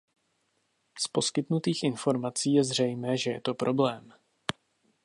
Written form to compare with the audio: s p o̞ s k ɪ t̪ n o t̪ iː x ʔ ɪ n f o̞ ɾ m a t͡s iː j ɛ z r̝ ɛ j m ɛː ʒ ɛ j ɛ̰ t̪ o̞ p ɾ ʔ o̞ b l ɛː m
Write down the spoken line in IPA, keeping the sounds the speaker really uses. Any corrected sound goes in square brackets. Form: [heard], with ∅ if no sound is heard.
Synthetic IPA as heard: s p o̞ s k ɪ t̪ n [u] t̪ iː x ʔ ɪ n f o̞ ɾ m a t͡s iː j ɛ z r̝ ɛ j m ɛː ʒ ɛ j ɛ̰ t̪ o̞ p ɾ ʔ o̞ b l ɛː m

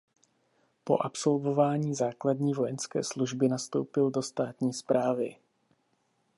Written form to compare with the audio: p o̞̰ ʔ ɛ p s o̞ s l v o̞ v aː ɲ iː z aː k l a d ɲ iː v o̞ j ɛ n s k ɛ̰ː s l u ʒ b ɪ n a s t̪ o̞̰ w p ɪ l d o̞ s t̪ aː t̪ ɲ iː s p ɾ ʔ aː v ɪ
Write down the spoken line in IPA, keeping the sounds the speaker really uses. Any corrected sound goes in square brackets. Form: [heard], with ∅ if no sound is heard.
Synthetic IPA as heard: p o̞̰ ʔ [a] p s o̞ [∅] l v o̞ v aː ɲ iː z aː k l a d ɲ iː v o̞ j ɛ n s k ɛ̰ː s l u ʒ b ɪ n a s t̪ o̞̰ w p ɪ l d o̞ s t̪ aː t̪ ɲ iː s p ɾ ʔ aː v ɪ

